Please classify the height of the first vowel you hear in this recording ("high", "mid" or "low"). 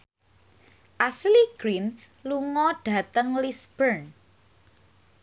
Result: low